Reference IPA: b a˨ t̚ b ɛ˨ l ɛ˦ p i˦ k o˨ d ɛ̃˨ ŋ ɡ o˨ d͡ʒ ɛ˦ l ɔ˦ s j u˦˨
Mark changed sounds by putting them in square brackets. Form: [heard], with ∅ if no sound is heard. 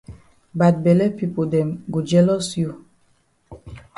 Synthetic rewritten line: b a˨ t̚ b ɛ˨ l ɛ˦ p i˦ [p] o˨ d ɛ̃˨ [m] ɡ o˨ d͡ʒ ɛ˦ l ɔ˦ s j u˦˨